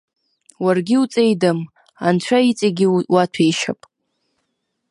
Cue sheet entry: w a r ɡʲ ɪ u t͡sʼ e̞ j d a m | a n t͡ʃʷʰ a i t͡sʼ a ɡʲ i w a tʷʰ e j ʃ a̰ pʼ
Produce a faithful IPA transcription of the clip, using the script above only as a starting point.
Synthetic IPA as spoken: w a r ɡʲ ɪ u t͡sʼ e̞ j d a m | a n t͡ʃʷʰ a i t͡sʼ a ɡʲ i w a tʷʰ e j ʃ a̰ pʼ